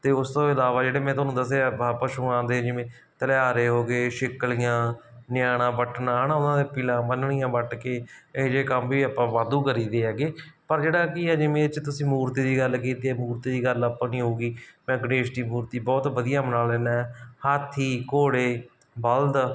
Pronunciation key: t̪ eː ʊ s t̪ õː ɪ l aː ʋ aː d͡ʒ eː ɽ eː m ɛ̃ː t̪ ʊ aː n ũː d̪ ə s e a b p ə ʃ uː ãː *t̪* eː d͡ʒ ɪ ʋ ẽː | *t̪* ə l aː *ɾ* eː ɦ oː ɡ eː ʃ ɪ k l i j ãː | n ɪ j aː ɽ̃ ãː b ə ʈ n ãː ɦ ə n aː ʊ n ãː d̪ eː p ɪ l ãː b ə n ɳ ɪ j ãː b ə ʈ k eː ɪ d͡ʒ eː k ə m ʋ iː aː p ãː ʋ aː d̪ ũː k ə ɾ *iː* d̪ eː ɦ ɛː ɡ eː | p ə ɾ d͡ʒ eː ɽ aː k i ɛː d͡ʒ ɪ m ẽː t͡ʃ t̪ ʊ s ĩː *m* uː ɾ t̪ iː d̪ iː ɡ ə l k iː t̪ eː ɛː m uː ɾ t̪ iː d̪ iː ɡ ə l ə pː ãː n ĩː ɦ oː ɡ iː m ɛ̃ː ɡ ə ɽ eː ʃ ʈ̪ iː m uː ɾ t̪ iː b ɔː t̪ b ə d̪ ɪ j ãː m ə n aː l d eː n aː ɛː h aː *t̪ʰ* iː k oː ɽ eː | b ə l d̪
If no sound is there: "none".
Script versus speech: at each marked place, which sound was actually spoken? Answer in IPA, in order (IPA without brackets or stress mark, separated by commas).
d̪, t̪, ɾ, iː, m, t̪ʰ